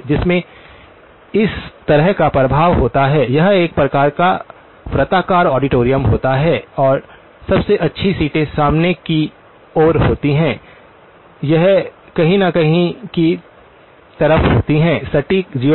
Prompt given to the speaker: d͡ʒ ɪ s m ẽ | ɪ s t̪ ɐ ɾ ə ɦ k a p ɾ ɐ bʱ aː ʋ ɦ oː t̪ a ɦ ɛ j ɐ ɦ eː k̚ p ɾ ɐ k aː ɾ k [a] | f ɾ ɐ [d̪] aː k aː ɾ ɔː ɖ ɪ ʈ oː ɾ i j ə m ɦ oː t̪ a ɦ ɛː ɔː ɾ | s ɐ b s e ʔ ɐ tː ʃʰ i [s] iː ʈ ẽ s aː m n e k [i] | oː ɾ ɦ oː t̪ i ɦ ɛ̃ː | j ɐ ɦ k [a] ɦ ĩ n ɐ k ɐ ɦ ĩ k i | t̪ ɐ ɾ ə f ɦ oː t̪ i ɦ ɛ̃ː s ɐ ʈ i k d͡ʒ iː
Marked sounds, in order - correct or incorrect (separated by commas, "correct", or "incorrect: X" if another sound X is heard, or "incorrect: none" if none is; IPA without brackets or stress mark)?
correct, incorrect: t̪, correct, correct, incorrect: ɐ